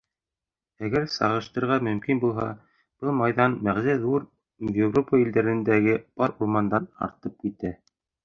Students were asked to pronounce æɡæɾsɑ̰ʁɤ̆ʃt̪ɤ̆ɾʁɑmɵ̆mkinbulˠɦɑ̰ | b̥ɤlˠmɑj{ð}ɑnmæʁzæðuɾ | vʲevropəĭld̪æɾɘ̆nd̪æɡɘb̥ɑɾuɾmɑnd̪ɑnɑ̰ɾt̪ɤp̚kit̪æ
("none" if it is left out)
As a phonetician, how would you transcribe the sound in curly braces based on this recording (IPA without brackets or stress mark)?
ð